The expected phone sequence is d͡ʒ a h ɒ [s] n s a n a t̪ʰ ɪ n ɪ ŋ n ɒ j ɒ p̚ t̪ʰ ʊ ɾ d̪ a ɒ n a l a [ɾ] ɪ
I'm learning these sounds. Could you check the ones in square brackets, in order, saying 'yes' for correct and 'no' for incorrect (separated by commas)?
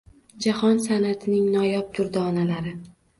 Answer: no, yes